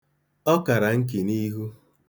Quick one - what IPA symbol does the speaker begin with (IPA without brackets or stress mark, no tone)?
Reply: ɔ